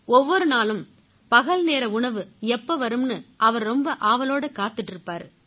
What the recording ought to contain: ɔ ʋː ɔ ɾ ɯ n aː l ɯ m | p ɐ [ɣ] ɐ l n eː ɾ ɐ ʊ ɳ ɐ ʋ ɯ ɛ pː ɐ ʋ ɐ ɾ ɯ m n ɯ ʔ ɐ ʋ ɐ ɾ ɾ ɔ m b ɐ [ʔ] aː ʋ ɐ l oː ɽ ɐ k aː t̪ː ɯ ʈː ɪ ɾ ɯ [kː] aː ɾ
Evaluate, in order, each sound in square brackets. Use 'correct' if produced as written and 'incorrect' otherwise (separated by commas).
correct, correct, incorrect